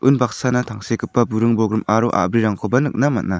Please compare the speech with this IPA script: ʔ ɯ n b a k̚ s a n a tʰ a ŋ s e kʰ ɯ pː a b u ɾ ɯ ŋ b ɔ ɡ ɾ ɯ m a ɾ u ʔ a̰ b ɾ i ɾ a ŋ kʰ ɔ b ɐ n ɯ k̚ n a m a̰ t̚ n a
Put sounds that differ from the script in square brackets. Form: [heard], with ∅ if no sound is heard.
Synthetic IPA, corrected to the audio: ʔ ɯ n b a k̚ s a n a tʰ a ŋ s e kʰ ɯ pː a b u ɾ ɯ ŋ b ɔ ɡ ɾ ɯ m a ɾ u ʔ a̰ b ɾ i ɾ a ŋ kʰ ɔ b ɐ n ɯ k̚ n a m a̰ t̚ n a